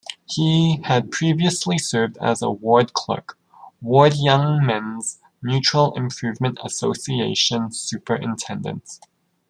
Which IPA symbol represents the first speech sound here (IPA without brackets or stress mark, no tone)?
h